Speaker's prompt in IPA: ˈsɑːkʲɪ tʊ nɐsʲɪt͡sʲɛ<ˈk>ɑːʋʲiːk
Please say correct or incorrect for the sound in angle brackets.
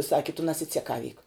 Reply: correct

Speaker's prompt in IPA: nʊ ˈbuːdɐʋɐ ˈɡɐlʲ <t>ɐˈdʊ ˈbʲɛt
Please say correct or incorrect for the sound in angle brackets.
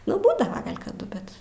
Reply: incorrect: k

